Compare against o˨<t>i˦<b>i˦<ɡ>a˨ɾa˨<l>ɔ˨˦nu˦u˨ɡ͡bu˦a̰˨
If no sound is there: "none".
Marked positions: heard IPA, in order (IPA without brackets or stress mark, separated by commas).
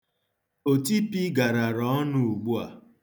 t, p, ɡ, ɾ